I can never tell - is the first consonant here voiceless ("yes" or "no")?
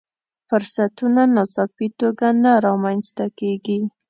yes